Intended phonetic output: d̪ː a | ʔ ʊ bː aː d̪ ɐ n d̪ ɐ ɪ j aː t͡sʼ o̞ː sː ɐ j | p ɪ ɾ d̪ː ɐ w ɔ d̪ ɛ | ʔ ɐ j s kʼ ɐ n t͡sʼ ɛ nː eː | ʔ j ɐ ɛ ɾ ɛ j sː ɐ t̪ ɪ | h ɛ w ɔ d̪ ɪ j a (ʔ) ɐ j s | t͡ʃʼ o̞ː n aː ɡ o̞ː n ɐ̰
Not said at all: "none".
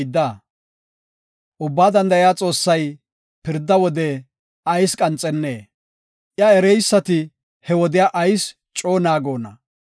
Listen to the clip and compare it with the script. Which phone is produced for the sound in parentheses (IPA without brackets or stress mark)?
ʔ